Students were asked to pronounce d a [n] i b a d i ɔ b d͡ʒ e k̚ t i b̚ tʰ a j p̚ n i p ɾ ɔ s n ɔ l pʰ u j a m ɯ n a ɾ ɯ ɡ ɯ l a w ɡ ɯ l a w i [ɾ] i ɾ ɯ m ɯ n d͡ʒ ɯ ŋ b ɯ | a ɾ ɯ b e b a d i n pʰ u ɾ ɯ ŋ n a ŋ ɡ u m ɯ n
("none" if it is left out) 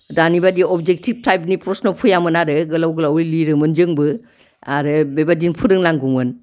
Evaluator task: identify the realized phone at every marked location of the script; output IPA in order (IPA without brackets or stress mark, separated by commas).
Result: n, l